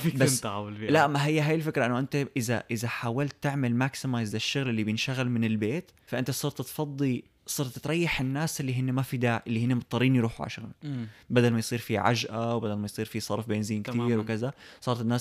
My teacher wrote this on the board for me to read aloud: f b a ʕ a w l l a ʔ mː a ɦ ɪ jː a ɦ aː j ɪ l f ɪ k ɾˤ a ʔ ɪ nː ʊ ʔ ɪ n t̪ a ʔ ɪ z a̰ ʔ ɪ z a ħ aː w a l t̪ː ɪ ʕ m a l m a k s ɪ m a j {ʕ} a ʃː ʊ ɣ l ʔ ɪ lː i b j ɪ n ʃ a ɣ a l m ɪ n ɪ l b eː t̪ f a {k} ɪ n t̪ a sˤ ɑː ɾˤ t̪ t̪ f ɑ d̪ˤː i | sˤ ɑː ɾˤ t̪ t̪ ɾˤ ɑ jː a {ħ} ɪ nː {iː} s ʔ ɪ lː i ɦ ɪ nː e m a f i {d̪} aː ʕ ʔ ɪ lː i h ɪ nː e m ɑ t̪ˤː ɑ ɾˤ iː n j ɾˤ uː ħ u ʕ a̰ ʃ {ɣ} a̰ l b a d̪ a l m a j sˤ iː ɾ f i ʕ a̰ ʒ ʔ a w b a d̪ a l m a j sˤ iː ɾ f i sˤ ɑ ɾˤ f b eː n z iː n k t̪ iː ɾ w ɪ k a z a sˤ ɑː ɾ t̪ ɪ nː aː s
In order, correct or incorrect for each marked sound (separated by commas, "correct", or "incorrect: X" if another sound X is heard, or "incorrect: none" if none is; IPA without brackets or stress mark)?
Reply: incorrect: z, incorrect: ʔ, correct, incorrect: aː, correct, correct